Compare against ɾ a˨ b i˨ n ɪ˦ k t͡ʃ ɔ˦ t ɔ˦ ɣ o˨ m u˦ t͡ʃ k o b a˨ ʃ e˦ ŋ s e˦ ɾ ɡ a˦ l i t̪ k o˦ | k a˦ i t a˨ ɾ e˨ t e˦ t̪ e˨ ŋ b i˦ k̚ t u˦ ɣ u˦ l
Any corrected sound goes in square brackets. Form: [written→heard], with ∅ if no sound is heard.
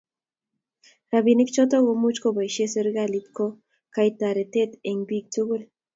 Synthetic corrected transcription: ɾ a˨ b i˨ n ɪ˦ k t͡ʃ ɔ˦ t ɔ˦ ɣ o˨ m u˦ t͡ʃ k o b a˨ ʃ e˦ [ŋ→∅] s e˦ ɾ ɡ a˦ l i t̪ k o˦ | k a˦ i t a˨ ɾ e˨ t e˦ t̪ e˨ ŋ b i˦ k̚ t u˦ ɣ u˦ l